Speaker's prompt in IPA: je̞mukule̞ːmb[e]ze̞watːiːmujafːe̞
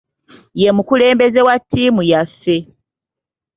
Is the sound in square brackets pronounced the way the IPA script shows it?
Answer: yes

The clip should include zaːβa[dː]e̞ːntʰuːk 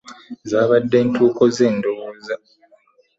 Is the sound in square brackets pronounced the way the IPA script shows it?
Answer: yes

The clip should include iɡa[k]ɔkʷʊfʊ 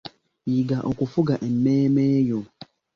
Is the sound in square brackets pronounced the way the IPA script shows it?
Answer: no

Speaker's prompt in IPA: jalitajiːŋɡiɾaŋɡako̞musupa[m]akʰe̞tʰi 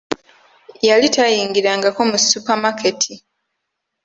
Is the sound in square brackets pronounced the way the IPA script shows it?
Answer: yes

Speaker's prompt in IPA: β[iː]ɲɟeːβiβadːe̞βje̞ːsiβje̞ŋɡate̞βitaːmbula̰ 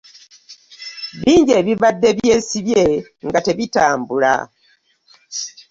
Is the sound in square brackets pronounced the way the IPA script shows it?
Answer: yes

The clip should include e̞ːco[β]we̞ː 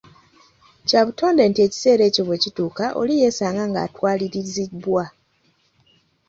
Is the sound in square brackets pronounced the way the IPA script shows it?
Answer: yes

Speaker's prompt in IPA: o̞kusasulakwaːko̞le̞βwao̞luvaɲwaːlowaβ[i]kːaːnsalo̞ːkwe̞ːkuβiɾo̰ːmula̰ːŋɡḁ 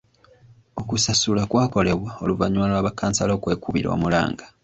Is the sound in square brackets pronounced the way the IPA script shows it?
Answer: no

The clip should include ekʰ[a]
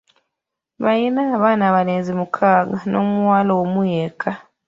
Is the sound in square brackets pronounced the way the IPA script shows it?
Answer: yes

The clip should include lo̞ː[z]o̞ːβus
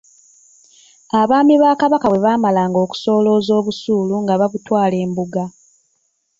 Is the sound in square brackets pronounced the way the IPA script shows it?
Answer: yes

